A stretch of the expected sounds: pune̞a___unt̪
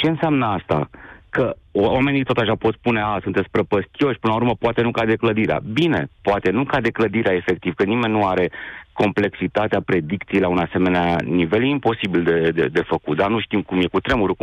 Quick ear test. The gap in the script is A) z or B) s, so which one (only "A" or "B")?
B